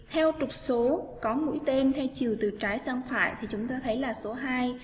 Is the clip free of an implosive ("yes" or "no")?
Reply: yes